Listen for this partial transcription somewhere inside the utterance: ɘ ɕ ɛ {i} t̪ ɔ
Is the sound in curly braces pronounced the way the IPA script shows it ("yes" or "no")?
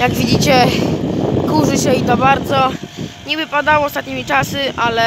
yes